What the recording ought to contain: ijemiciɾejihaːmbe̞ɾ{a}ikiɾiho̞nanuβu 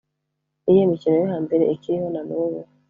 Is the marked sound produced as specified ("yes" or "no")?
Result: no